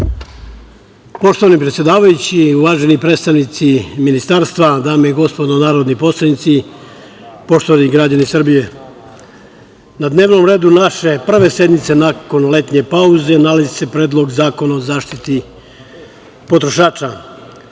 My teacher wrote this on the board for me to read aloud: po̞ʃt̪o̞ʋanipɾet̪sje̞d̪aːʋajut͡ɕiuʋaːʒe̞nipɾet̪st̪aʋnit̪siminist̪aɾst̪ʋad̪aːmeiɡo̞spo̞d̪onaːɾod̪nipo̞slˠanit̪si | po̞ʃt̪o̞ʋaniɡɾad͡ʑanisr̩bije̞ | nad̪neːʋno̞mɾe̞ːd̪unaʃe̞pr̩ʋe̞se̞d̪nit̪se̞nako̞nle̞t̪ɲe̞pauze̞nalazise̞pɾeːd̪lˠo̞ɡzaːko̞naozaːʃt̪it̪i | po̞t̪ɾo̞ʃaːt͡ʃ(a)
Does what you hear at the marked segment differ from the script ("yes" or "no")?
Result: no